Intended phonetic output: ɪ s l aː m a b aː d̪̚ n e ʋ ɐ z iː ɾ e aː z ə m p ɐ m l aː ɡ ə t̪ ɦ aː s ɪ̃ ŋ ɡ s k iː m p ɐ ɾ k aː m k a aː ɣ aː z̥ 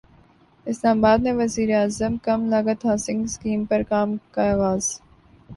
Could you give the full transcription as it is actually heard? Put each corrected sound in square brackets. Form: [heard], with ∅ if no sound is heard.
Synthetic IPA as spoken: ɪ s l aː m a b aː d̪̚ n e ʋ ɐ z iː ɾ e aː z ə m [k] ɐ m l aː ɡ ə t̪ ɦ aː s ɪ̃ ŋ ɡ s k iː m p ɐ ɾ k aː m k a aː ɣ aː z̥